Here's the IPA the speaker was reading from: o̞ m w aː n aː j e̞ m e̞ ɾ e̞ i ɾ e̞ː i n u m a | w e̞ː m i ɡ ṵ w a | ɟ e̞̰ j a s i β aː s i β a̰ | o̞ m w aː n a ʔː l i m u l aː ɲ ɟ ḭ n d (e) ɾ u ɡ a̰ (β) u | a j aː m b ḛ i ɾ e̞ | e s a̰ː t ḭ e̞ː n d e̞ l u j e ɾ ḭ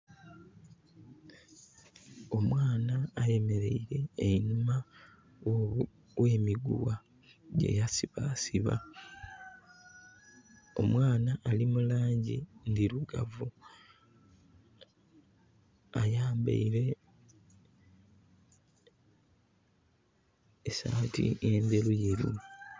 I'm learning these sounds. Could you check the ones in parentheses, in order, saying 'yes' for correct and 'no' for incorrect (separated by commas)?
no, no